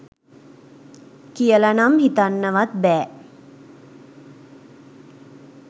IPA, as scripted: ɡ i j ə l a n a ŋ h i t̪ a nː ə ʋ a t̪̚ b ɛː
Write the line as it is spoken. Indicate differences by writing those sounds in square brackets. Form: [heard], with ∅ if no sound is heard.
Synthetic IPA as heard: [k] i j ə l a n a [m] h i t̪ a nː ə ʋ a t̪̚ b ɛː